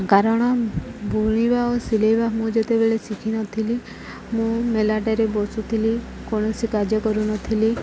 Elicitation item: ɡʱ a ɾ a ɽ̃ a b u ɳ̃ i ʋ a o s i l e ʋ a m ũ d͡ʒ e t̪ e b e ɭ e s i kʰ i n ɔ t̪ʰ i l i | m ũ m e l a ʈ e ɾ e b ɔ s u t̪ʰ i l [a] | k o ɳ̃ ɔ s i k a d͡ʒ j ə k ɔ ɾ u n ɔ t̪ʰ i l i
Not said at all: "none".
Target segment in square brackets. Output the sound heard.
i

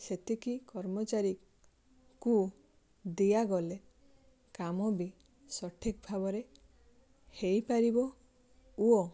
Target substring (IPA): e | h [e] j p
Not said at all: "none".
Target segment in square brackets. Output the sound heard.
e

